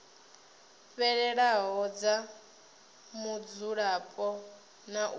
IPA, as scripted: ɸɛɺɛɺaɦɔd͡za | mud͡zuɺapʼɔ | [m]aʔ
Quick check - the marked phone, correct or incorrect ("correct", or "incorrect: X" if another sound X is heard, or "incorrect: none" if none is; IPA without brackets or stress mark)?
incorrect: n